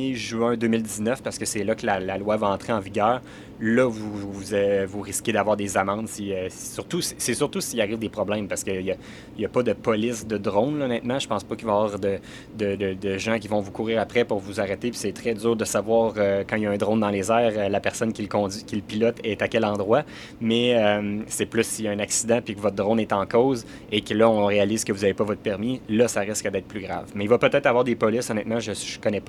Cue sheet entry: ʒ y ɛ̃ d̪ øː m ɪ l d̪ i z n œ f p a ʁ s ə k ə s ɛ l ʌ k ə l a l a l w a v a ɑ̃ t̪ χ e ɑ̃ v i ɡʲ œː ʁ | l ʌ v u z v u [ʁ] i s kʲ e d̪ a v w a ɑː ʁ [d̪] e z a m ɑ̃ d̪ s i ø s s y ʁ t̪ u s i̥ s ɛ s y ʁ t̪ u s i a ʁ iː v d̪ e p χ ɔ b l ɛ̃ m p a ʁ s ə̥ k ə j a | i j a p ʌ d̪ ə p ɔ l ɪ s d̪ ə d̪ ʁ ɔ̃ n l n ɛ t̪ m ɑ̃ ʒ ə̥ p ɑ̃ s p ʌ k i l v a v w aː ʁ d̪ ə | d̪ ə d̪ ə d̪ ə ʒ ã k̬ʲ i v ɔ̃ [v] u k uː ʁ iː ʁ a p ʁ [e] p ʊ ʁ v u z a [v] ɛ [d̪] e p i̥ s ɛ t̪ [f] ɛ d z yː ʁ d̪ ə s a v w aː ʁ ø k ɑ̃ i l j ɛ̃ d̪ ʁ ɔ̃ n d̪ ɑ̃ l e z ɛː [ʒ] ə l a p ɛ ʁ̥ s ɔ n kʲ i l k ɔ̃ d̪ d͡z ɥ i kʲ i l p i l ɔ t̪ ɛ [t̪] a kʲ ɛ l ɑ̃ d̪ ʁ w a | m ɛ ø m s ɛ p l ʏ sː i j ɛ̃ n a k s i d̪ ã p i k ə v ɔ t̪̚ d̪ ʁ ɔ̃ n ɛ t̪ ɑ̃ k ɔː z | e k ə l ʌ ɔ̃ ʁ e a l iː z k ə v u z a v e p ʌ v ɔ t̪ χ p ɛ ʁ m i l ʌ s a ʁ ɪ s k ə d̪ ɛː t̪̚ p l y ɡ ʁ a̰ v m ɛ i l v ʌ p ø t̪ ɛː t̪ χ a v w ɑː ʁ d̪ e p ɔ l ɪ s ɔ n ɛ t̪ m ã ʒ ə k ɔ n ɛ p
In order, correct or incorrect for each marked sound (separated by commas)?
correct, correct, correct, incorrect, incorrect, incorrect, incorrect, incorrect, correct